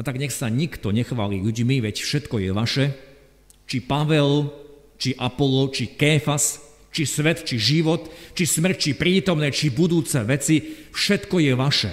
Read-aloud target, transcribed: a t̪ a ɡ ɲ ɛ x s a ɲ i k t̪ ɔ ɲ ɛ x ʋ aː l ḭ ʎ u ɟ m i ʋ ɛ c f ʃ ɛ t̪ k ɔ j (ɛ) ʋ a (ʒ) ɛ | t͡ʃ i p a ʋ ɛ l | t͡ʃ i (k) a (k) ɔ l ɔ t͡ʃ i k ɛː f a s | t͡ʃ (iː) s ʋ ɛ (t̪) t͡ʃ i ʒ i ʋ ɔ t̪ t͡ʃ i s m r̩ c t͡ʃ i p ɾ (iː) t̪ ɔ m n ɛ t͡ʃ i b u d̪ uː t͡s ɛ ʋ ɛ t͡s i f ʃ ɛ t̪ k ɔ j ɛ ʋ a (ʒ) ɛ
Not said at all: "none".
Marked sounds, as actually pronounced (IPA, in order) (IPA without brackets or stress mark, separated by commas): ɛ, ʃ, ʔ, p, i, t̪, iː, ʃ